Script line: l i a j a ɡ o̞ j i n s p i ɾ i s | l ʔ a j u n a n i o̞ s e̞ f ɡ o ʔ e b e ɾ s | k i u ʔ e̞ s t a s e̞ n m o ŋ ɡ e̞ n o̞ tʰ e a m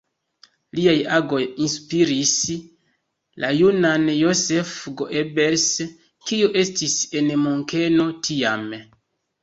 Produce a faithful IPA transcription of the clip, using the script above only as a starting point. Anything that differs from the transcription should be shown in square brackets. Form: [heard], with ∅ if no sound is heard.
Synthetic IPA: l i a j a ɡ o̞ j i n s p i ɾ i s | l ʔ a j u n a n [j] o̞ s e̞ f ɡ o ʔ e b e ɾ s | k i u ʔ e̞ s t [i] s e̞ n m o ŋ [k] e̞ n o̞ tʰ [i] a m